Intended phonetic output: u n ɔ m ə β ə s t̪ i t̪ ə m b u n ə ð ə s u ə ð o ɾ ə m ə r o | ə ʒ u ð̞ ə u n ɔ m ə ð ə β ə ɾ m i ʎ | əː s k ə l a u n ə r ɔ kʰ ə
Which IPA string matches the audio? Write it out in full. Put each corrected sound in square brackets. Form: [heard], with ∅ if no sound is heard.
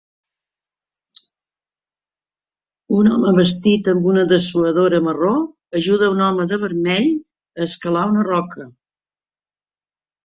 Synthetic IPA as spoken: u n ɔ m ə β ə s t̪ i t̪ ə m b u n ə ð ə s u ə ð o ɾ ə m ə r o | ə ʒ u ð̞ ə u n ɔ m ə ð ə β ə ɾ m [ɛ] ʎ | əː s k ə l a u n ə r ɔ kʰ ə